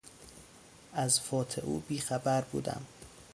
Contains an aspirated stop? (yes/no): yes